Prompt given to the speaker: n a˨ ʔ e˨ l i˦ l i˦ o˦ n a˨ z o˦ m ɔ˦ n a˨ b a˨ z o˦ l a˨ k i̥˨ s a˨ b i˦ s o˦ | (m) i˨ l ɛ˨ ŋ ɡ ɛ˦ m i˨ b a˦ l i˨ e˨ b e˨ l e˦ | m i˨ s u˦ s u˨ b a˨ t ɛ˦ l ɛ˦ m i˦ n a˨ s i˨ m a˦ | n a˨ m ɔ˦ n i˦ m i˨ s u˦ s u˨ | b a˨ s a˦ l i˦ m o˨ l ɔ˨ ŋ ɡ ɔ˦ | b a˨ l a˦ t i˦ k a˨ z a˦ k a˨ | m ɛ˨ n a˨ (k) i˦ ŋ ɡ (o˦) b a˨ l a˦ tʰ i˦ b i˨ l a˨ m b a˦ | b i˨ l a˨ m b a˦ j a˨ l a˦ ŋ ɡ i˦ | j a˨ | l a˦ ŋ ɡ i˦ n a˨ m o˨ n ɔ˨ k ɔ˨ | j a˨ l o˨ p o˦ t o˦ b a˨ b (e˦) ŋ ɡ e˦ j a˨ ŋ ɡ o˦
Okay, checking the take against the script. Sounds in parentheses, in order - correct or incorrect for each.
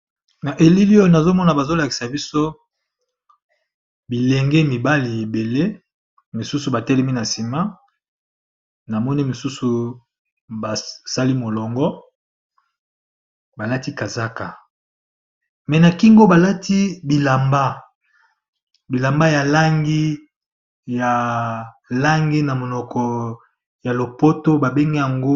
incorrect: b, correct, correct, correct

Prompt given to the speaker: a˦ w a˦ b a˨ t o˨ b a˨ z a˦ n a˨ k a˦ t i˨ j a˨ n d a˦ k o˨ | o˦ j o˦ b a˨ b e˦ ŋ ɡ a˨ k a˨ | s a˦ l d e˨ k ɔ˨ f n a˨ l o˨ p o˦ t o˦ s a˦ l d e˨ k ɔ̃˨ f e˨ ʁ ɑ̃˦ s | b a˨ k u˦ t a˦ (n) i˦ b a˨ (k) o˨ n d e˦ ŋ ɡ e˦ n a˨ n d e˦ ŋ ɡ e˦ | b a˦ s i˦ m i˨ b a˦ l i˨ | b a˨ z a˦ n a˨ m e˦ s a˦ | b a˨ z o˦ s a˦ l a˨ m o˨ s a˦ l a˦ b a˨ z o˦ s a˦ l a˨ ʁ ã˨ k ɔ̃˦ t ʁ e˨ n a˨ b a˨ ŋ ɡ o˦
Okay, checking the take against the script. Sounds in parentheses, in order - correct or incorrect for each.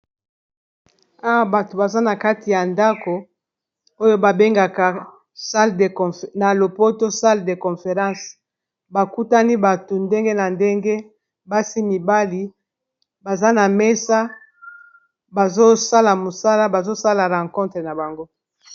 correct, incorrect: t

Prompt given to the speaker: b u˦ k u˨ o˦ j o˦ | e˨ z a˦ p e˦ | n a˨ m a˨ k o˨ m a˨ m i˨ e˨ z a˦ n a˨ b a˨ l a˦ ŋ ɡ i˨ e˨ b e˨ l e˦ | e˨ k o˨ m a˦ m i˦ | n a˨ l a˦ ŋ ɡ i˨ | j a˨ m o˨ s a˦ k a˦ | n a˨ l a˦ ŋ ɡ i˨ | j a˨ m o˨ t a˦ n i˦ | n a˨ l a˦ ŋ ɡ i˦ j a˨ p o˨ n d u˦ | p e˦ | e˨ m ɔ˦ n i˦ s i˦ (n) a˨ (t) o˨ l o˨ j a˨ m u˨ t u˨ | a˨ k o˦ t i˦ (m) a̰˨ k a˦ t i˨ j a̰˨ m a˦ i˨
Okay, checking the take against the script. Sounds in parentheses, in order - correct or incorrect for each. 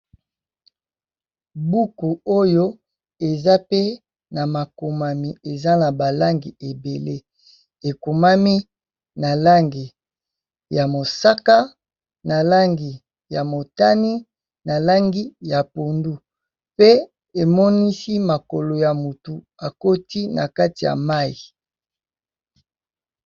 incorrect: m, incorrect: k, incorrect: n

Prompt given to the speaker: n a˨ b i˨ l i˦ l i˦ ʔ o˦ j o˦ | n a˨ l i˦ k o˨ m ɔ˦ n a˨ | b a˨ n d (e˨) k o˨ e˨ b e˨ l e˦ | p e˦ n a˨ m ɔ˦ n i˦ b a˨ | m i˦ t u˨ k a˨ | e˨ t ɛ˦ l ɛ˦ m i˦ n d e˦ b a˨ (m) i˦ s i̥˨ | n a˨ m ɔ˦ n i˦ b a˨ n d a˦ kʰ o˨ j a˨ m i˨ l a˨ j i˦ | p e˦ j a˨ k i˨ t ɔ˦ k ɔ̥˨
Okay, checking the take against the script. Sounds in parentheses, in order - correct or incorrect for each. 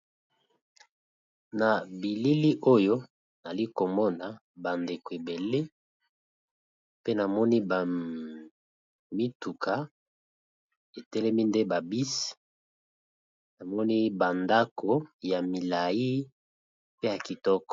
correct, incorrect: b

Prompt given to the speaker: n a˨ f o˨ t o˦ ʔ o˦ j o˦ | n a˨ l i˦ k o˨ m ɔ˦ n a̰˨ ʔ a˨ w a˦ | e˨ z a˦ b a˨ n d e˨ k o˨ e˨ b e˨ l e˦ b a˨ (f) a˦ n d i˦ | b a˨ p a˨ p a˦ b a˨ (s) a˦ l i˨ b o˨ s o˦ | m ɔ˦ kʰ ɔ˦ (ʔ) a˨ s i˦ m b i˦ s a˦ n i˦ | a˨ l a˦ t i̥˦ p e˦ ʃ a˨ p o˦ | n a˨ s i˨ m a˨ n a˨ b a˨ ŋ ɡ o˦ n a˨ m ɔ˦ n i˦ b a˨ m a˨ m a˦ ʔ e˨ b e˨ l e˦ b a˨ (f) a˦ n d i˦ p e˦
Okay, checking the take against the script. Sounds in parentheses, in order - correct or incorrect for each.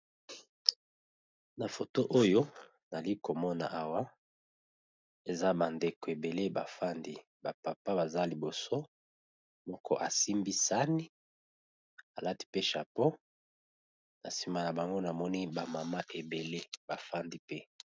correct, incorrect: z, correct, correct

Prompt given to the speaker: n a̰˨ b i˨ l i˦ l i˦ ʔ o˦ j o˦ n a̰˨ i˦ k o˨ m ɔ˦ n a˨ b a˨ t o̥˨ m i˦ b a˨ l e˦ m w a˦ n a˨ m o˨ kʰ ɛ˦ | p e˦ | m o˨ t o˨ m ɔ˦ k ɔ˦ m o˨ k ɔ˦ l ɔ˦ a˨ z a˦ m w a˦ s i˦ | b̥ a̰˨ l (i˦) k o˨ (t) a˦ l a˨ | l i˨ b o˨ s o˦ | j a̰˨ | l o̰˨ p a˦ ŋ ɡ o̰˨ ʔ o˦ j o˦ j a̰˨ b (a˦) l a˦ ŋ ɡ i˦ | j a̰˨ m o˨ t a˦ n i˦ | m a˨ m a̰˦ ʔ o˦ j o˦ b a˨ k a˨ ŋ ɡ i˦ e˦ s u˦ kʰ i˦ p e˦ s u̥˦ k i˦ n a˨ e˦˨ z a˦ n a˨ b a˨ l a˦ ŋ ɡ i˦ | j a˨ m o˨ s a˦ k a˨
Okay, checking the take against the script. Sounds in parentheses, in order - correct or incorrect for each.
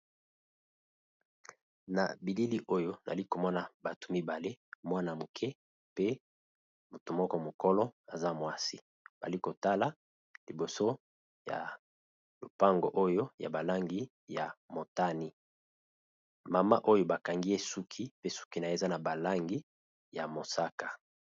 correct, correct, incorrect: a˨

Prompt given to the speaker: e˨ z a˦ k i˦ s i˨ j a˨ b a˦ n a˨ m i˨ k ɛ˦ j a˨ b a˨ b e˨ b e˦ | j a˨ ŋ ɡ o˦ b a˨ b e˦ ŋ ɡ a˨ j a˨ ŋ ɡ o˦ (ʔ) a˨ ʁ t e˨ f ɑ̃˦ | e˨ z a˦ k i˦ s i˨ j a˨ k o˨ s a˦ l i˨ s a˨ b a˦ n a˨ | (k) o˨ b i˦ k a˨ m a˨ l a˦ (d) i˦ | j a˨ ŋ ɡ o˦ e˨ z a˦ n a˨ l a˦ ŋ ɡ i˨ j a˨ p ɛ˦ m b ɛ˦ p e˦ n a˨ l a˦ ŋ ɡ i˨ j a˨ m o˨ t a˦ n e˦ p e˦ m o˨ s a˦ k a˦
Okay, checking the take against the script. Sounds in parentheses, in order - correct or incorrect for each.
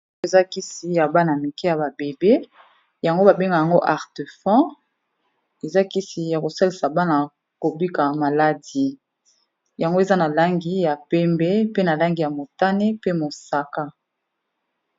correct, correct, correct

